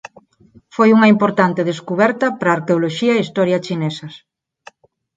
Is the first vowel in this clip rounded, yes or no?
yes